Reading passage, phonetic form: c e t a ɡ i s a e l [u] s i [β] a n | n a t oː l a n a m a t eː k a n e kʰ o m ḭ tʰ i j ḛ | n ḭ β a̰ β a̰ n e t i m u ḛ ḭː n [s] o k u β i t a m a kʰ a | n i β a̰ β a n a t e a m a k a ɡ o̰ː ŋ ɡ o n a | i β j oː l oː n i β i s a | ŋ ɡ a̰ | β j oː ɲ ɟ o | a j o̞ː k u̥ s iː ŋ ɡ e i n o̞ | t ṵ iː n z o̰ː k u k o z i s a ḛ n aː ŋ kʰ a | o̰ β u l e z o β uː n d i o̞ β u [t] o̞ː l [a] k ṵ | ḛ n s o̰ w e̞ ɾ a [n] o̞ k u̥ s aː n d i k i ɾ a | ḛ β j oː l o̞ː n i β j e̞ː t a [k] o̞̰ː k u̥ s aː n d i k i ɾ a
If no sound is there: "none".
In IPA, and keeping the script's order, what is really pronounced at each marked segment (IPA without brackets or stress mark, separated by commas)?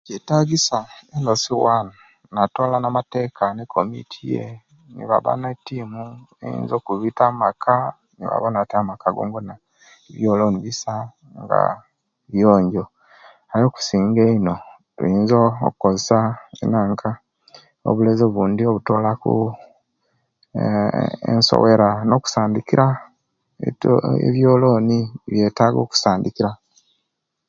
o, w, z, t, a, n, ɡ